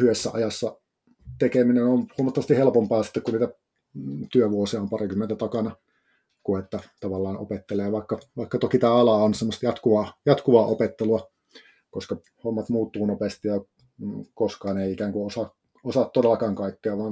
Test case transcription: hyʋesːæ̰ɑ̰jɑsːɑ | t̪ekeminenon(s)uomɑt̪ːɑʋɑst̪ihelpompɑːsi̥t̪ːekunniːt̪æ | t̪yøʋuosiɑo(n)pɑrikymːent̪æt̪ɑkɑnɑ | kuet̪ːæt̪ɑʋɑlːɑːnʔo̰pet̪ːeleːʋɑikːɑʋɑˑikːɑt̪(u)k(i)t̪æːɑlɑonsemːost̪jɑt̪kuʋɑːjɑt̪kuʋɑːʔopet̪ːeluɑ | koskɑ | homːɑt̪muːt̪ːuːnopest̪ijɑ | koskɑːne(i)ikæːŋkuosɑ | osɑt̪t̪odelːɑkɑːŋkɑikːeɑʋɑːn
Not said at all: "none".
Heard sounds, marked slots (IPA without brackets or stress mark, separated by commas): h, m, o, i, i